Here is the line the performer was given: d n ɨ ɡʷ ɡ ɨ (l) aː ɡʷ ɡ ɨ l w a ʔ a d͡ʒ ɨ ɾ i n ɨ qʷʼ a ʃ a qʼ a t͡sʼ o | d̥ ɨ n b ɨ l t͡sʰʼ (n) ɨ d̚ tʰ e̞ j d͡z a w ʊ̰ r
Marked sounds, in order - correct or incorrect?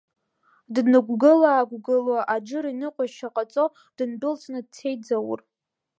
correct, correct

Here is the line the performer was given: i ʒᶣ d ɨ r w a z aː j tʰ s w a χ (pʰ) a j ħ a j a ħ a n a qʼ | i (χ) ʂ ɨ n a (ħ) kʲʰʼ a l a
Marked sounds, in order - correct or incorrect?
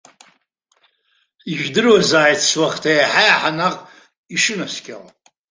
incorrect: tʰ, incorrect: none, incorrect: s

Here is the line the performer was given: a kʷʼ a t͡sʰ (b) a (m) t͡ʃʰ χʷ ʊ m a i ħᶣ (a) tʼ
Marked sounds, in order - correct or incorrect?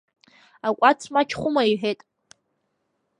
incorrect: m, incorrect: none, incorrect: e

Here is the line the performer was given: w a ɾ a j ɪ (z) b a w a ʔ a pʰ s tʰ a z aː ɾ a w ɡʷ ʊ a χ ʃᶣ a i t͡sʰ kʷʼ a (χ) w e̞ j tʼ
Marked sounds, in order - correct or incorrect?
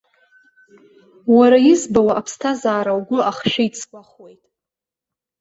correct, correct

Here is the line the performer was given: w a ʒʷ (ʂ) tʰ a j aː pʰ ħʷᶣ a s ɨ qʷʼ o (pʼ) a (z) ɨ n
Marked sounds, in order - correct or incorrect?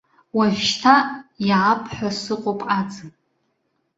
incorrect: ʃ, correct, incorrect: d͡z

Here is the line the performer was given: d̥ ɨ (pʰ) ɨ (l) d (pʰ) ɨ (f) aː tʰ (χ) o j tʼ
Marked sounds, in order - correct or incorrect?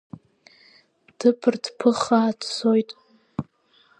correct, incorrect: r, correct, incorrect: χ, incorrect: s

